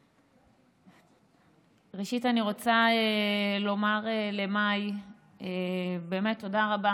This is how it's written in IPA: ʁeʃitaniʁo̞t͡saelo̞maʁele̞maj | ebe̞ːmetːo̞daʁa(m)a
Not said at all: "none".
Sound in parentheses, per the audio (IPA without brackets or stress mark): b